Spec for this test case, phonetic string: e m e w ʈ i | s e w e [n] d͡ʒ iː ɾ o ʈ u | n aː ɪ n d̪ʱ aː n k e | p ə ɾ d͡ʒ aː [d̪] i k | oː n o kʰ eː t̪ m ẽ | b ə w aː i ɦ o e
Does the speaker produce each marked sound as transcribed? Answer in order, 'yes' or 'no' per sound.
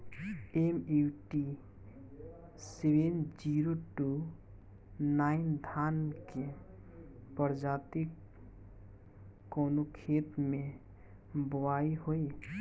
yes, no

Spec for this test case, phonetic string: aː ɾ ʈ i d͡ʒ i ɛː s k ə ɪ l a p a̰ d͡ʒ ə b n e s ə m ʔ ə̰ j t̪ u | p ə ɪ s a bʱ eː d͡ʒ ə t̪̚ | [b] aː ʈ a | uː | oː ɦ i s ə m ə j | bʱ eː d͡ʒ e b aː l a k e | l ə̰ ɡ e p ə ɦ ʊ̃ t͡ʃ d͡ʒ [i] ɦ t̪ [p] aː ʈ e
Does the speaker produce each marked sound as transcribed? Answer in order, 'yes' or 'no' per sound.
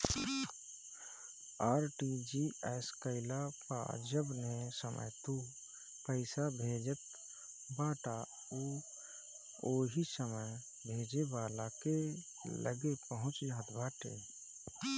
yes, no, no

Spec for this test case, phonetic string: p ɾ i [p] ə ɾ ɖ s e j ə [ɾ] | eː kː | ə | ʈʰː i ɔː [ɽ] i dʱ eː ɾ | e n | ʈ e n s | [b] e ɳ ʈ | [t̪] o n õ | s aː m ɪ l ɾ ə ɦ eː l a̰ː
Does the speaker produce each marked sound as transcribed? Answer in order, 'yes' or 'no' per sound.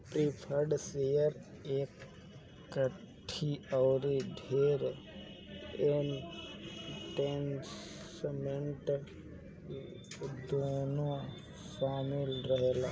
no, yes, no, no, no

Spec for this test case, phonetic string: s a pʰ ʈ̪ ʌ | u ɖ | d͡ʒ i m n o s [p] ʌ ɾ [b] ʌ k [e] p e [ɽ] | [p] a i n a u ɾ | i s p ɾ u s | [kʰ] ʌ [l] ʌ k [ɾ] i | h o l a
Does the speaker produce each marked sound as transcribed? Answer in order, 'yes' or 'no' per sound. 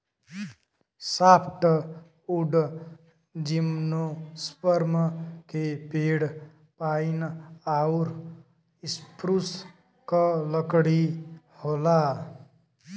yes, no, yes, yes, yes, no, yes, no

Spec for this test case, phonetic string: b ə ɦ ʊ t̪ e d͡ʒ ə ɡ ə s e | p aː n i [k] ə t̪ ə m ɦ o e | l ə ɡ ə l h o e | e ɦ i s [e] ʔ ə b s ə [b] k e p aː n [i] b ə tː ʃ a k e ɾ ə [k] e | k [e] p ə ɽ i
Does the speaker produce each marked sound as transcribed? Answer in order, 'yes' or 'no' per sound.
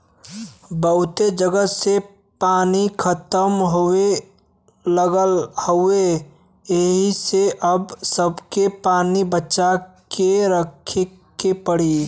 no, yes, yes, yes, no, yes

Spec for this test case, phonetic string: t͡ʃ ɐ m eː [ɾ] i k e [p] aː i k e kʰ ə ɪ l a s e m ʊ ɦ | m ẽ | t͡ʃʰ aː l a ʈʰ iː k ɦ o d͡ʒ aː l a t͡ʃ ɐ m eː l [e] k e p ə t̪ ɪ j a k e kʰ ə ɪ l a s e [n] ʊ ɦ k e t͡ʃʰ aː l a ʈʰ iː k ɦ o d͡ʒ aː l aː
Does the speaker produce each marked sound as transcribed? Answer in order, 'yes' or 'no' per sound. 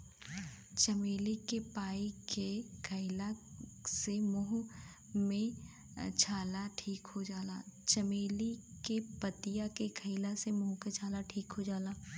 no, yes, no, no

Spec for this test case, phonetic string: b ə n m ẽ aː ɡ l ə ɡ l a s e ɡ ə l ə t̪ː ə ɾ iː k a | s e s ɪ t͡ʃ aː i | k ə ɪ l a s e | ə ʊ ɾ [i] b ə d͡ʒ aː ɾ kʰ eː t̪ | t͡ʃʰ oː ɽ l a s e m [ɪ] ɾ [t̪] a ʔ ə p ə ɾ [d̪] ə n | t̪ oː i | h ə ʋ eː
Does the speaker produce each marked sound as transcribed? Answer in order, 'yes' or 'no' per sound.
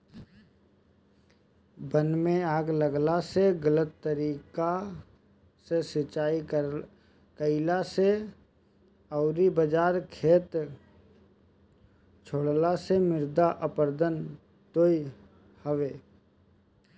yes, yes, no, yes

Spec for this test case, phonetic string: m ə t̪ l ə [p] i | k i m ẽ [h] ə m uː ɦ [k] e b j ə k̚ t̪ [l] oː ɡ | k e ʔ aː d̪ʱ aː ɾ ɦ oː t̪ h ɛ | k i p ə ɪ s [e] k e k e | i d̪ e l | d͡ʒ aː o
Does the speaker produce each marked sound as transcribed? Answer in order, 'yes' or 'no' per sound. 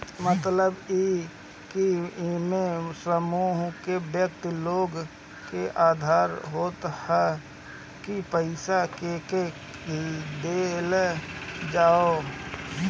no, no, yes, yes, no

